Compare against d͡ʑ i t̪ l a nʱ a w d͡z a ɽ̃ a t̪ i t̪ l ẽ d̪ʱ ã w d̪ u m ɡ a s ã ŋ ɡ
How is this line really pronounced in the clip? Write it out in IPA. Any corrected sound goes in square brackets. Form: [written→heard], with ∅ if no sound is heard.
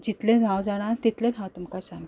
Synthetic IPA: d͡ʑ i t̪ l [a→e] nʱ a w d͡z a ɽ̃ a t̪ i t̪ l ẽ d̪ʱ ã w [d̪→t̪] u m [ɡ→k] a s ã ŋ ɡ